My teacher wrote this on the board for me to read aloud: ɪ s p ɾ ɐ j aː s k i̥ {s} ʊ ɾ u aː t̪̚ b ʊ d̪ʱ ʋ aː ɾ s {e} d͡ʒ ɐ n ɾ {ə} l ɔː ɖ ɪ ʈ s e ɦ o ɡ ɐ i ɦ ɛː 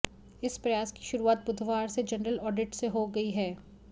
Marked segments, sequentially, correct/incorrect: incorrect: ʃ, correct, correct

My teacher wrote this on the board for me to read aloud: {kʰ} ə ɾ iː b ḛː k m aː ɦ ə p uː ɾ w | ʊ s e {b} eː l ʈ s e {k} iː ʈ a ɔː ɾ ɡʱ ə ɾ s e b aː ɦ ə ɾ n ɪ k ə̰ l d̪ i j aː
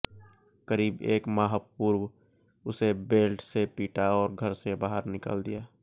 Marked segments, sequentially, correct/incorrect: incorrect: k, correct, incorrect: p

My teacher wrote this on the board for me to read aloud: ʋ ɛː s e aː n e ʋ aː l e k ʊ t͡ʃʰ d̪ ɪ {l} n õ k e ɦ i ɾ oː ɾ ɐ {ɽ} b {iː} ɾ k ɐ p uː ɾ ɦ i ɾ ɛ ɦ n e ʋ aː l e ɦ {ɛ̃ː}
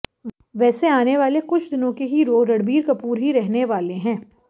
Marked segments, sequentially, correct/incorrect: incorrect: none, correct, correct, correct

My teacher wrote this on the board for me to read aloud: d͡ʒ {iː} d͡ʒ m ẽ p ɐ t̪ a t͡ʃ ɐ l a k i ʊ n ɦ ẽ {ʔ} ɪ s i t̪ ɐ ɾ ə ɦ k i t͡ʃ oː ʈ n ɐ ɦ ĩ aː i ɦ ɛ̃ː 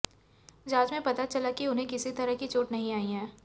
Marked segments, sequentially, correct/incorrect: incorrect: aː, incorrect: k

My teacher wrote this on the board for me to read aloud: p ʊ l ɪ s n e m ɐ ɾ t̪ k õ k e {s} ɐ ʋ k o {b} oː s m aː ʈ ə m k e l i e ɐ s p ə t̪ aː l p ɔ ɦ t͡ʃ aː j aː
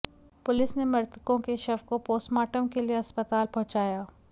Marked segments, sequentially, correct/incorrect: incorrect: ʃ, incorrect: p

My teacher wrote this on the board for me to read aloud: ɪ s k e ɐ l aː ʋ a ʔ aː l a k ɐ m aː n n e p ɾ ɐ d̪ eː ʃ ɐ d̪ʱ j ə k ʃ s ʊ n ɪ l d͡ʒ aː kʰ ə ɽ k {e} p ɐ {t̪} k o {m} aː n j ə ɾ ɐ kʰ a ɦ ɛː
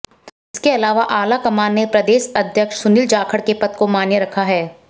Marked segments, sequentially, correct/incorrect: correct, correct, correct

